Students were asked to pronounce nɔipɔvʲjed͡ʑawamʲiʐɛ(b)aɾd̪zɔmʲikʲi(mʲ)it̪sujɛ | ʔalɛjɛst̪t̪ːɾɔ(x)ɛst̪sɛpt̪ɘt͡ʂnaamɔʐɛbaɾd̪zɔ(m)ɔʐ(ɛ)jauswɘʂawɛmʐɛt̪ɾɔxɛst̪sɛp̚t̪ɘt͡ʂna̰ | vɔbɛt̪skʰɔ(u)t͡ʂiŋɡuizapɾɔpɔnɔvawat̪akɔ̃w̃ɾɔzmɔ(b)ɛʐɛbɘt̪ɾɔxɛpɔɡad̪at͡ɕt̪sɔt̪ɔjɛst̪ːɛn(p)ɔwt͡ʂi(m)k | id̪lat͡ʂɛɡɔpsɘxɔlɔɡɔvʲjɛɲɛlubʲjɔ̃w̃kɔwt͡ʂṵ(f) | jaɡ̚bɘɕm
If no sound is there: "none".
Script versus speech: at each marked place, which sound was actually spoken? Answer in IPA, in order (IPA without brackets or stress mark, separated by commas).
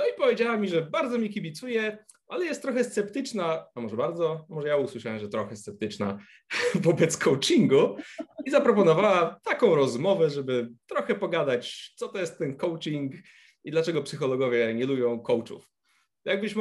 b, bʲ, x, m, ɛ, w, v, k, ŋ, f